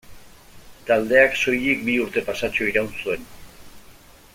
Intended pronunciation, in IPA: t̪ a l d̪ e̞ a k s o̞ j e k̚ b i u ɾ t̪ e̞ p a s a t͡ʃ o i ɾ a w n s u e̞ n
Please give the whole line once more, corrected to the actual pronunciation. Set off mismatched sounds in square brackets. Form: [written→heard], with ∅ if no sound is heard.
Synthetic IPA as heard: t̪ a l d̪ e̞ a k s o̞ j e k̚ b i u ɾ t̪ e̞ p a s a t͡ʃ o i ɾ a w n s u e̞ n